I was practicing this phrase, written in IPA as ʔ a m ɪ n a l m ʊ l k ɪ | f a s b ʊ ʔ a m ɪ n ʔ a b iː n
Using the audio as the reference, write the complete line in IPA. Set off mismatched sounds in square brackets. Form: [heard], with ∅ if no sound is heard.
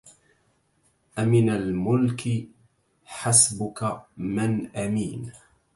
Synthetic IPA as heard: ʔ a m ɪ n a l m ʊ l k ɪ | [ħ] a s b ʊ [k] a m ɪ n ʔ a [m] iː n